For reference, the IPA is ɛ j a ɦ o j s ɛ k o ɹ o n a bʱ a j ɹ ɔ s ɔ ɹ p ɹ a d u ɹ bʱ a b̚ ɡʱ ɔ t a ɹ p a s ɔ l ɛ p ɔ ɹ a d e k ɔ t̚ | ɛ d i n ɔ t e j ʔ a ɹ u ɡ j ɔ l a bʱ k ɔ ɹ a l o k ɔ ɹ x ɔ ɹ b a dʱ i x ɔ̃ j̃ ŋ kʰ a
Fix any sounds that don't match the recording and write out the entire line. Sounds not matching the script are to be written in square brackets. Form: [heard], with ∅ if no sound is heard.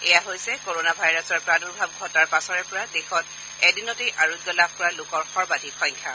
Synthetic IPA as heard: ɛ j a ɦ o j s ɛ k o ɹ o n a bʱ a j ɹ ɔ s ɔ ɹ p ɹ a d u ɹ bʱ a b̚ ɡʱ ɔ t a ɹ p a s ɔ [ɹ] ɛ p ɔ ɹ a d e [x] ɔ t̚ | ɛ d i n ɔ t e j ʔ a ɹ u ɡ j ɔ l a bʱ k ɔ ɹ a l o k ɔ ɹ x ɔ ɹ b a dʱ i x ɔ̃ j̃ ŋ kʰ a